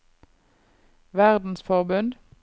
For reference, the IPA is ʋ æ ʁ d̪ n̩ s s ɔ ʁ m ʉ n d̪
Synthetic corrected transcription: ʋ æ ʁ d̪ n̩ s f ɔ ʁ b ʉ n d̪